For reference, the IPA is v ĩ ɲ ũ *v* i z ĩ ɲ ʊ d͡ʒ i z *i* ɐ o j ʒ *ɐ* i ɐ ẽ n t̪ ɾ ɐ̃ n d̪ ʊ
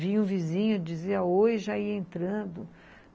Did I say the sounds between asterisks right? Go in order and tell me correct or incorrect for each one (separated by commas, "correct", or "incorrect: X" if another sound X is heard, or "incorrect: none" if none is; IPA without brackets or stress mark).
correct, correct, incorrect: a